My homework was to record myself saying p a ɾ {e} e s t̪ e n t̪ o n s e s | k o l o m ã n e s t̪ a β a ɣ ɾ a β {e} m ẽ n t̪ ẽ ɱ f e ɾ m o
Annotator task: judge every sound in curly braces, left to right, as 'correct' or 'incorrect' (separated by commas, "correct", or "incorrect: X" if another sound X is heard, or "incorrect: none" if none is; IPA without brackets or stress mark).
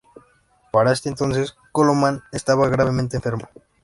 incorrect: a, correct